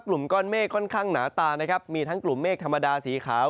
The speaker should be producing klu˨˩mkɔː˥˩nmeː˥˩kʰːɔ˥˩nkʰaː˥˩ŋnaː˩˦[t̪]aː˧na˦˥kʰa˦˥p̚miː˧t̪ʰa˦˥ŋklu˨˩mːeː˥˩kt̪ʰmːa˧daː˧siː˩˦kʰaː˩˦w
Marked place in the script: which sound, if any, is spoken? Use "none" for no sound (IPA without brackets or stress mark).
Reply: t̪